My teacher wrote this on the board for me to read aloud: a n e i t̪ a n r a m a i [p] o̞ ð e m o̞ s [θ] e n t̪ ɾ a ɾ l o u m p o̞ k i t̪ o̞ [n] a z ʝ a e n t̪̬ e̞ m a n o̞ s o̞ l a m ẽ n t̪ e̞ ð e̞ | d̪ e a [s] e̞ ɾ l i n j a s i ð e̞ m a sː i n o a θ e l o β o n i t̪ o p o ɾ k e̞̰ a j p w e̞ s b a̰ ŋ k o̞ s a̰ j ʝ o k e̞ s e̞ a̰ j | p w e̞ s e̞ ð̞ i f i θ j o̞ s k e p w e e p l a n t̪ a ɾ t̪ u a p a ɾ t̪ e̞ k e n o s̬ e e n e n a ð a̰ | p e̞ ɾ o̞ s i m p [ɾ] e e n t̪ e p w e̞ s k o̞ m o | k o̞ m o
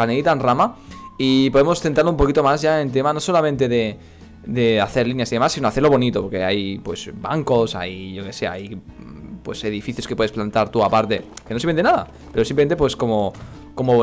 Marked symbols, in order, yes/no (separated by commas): yes, yes, no, no, no